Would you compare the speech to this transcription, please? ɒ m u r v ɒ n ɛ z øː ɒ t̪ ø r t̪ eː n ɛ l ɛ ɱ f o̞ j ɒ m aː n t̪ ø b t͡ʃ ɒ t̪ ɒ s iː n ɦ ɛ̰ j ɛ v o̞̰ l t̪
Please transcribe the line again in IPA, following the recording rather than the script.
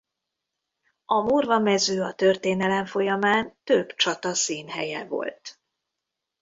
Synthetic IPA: ɒ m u r v ɒ m ɛ z øː ɒ t̪ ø r t̪ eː n ɛ l ɛ ɱ f o̞ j ɒ m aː n t̪ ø b t͡ʃ ɒ t̪ ɒ s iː n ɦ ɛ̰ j ɛ v o̞̰ l t̪